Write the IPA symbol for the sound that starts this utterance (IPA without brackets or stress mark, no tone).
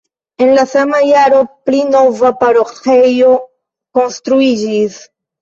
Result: e̞